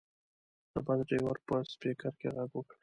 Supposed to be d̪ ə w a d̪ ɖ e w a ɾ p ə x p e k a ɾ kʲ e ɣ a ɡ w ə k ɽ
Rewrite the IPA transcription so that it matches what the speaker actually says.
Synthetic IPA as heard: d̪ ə b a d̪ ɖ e w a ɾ p ə s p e k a ɾ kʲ e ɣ a ɡ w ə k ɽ